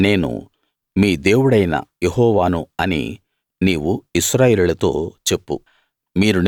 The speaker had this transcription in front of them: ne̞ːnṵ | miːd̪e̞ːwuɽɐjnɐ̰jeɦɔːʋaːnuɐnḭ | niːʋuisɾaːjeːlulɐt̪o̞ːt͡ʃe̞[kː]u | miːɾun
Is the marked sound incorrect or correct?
incorrect